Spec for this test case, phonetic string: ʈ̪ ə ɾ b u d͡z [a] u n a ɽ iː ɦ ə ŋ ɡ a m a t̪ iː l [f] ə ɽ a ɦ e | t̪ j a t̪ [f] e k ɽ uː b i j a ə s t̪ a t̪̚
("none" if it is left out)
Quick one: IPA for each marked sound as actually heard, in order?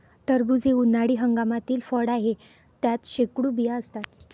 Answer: e, f, ɕ

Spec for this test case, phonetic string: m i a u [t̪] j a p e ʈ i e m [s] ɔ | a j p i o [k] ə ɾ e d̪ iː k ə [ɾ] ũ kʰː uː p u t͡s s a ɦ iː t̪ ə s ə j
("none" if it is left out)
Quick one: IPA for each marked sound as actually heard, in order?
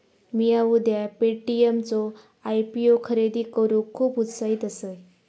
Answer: d̪, t͡s, kʰ, ɾ

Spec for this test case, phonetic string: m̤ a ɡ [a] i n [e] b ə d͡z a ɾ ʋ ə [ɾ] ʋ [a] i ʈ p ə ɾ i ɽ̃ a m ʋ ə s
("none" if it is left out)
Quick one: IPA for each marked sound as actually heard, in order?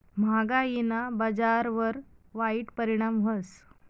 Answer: a, a, ɾ, a

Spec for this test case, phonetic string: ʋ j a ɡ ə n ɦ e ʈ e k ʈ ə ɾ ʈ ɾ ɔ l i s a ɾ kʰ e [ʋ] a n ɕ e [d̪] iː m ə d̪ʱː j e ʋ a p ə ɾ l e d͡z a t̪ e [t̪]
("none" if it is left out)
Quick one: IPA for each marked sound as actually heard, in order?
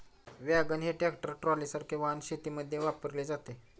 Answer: ʋ, t̪, none

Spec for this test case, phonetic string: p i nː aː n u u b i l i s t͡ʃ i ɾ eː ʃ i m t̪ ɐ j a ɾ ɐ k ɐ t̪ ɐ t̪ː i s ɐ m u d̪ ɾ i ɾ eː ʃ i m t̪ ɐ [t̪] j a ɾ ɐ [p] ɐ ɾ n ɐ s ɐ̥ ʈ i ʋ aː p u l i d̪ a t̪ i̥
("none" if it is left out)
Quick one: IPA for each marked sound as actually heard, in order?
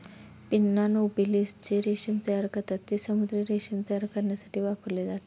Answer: none, k

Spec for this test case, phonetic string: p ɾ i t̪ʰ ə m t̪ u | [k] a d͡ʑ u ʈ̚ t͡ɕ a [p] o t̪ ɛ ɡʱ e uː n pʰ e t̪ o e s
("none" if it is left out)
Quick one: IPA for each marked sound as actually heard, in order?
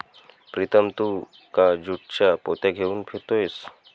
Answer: k, p

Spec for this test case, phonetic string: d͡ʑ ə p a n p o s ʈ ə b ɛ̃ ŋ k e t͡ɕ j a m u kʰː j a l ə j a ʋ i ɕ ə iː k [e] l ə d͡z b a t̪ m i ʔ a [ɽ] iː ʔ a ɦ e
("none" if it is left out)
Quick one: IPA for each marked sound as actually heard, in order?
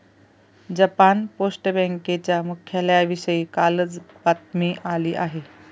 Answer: a, l

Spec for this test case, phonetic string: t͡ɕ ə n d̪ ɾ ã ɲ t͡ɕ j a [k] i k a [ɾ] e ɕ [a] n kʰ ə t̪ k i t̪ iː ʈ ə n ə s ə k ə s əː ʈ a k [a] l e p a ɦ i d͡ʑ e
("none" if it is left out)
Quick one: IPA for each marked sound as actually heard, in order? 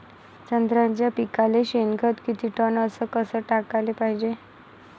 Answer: p, l, e, a

